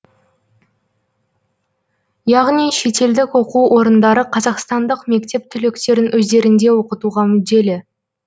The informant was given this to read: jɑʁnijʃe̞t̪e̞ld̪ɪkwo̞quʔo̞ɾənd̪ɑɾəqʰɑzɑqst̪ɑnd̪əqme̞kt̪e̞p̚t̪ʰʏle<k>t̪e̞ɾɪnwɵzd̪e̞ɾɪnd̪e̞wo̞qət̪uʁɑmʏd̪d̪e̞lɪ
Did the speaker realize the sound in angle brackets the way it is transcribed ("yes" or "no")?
yes